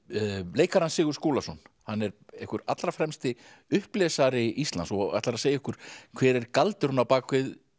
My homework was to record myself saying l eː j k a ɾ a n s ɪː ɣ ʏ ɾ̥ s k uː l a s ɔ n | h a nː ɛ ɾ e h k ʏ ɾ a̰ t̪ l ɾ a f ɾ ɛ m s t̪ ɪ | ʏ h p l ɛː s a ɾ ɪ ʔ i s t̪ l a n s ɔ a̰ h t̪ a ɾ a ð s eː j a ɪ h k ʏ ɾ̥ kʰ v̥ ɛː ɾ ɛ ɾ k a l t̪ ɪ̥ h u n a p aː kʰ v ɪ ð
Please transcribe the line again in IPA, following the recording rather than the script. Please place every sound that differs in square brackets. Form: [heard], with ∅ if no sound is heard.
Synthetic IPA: l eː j k a ɾ a n s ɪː ɣ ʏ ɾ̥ s k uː l a s ɔ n | h a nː ɛ ɾ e h k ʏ ɾ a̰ t̪ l ɾ a f ɾ ɛ m s t̪ ɪ | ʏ h p l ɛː s a ɾ ɪ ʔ i s t̪ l a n s ɔ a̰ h t̪ a ɾ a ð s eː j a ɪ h k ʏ ɾ̥ kʰ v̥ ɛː ɾ ɛ ɾ k a l t̪ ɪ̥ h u n a p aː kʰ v ɪ ð